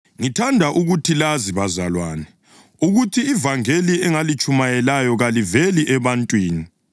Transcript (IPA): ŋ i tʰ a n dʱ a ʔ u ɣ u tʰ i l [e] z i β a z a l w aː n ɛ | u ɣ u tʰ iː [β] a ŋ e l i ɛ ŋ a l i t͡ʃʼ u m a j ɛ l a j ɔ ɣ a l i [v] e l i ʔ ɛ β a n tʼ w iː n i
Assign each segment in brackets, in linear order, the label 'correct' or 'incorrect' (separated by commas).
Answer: incorrect, incorrect, correct